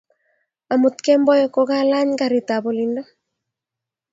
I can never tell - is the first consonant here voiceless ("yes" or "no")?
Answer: no